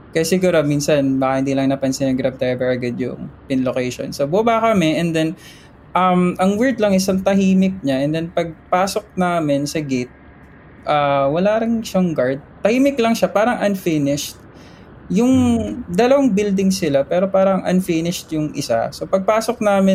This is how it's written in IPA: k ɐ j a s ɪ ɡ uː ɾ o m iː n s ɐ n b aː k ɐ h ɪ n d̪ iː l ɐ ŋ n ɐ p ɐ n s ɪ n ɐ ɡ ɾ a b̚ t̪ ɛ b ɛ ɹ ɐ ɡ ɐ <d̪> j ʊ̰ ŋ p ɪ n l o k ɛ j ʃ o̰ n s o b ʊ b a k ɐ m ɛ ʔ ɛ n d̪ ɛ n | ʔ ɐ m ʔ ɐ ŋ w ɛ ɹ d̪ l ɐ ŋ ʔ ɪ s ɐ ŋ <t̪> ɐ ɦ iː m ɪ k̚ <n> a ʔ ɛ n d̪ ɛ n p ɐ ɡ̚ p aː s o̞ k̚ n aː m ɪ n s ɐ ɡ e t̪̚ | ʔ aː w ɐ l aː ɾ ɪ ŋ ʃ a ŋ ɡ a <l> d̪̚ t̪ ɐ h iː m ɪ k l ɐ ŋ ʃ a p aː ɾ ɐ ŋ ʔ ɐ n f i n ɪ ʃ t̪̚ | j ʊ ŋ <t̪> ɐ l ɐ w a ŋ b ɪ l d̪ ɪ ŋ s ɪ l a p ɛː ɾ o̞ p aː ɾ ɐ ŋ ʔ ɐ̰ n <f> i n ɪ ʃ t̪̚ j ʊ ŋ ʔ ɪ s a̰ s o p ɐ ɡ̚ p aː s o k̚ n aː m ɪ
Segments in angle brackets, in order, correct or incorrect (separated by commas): correct, correct, incorrect, incorrect, incorrect, correct